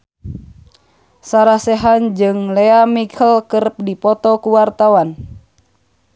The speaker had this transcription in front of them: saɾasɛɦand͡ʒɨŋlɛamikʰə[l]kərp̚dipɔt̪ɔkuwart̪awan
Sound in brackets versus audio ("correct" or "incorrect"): correct